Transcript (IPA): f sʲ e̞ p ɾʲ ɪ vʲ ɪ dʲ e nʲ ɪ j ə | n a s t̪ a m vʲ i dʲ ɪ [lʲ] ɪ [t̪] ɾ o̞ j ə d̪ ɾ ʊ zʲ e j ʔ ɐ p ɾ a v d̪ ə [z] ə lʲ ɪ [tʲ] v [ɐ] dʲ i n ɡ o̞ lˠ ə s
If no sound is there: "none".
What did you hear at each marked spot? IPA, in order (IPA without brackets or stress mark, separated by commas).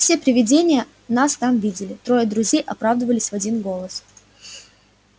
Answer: lʲ, t̪, v, sʲ, ɐ